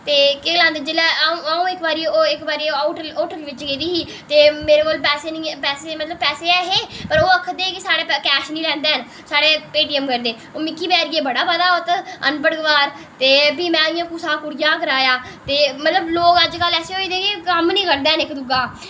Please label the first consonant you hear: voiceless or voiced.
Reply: voiceless